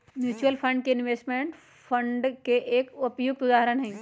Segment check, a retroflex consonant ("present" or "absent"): present